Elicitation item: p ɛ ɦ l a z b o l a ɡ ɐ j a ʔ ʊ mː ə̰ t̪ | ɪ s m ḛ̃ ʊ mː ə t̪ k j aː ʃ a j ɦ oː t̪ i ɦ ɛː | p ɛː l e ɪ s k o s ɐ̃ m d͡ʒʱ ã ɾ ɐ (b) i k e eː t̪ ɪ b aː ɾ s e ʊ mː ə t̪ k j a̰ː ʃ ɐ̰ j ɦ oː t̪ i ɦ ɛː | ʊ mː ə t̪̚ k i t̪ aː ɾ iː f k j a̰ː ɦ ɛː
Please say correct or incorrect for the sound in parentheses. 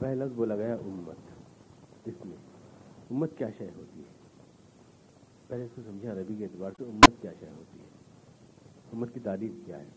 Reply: correct